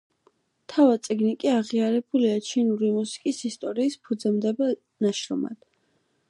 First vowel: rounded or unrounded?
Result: unrounded